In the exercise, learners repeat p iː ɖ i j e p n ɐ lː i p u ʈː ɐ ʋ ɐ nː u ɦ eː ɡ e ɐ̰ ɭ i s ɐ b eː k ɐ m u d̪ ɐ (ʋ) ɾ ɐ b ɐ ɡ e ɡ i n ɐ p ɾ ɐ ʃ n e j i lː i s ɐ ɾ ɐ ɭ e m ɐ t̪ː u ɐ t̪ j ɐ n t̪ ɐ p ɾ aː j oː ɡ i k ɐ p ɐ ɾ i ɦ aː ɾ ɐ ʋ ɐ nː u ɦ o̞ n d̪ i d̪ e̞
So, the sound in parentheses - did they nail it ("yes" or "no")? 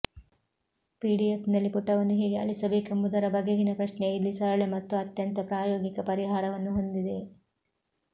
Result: no